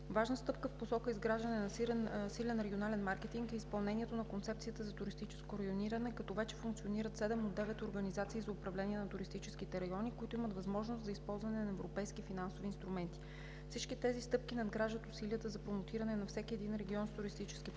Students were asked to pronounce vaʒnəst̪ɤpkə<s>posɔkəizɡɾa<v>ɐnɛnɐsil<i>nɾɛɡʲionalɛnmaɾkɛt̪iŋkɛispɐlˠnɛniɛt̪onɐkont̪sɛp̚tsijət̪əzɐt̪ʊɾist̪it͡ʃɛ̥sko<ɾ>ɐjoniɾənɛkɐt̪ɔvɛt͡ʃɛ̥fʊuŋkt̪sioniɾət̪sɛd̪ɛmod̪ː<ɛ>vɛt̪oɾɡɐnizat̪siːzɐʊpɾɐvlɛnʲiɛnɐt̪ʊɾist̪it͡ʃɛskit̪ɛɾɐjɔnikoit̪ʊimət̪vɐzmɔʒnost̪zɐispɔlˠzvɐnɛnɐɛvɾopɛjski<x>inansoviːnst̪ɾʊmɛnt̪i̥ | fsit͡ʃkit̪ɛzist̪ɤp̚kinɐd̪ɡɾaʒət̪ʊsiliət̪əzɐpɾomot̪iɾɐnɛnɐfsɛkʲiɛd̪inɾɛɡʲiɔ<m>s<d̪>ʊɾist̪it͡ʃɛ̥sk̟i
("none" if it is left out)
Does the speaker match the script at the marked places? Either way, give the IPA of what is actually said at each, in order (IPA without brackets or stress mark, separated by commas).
f, ʒ, ɛ, ɾ, ɛ, f, n, t̪